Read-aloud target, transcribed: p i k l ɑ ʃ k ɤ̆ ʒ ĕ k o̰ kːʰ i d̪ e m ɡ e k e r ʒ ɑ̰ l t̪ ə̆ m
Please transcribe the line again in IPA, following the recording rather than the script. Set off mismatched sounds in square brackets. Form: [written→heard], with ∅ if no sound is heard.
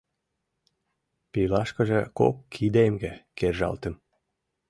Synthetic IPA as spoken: p i [k→∅] l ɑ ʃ k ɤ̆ ʒ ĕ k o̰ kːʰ i d̪ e m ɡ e k e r ʒ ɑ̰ l t̪ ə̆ m